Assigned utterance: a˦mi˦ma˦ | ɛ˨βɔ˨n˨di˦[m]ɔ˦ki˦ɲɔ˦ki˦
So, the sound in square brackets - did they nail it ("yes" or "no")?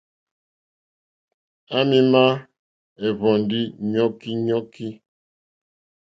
no